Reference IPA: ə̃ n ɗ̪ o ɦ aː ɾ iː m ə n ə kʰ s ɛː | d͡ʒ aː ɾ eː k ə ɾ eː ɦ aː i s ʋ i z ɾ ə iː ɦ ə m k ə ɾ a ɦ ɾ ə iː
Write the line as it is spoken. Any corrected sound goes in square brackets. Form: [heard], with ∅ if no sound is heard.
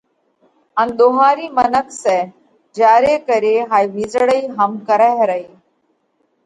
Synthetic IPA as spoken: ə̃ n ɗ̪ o ɦ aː ɾ iː m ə n ə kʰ s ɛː | d͡ʒ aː ɾ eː k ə ɾ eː ɦ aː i [∅] ʋ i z [ɽ] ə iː ɦ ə m k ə ɾ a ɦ ɾ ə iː